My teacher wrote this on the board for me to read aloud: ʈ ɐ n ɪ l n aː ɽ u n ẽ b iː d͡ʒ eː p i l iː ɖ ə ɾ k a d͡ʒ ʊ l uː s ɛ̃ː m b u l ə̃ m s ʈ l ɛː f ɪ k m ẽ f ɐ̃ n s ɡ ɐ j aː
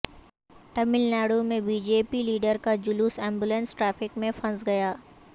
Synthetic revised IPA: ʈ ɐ m ɪ l n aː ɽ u m ẽ b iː d͡ʒ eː p i l iː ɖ ə ɾ k a d͡ʒ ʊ l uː s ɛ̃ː m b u l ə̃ n s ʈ ɾ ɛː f ɪ k m ẽ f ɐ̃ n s ɡ ɐ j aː